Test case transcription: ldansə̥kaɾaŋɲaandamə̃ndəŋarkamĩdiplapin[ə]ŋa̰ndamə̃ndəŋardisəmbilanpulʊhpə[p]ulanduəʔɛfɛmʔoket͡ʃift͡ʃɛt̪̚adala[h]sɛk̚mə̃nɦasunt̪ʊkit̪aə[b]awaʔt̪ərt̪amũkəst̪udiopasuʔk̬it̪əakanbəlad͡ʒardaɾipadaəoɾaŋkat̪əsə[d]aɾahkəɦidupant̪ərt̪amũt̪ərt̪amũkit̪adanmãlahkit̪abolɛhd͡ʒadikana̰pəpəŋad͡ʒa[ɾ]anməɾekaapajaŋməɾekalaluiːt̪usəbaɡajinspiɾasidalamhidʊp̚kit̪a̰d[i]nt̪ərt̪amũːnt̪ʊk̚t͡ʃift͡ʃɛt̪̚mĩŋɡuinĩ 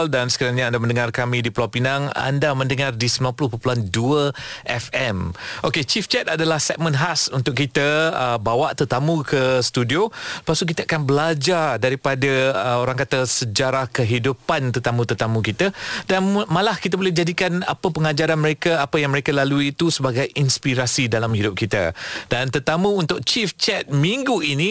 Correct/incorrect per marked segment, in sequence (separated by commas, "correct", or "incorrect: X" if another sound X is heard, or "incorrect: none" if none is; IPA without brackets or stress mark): incorrect: a, correct, correct, correct, incorrect: d͡ʒ, correct, incorrect: a